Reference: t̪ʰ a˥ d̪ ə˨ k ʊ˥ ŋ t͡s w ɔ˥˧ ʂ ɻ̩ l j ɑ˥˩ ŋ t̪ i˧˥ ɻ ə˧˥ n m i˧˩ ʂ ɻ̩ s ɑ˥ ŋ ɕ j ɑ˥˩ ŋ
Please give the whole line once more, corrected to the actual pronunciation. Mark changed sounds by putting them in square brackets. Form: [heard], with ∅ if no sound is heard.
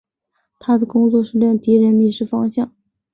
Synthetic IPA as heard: t̪ʰ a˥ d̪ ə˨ k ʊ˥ ŋ t͡s w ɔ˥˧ ʂ ɻ̩ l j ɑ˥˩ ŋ t̪ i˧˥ ɻ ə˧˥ n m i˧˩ ʂ ɻ̩ [f] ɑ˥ ŋ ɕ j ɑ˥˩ ŋ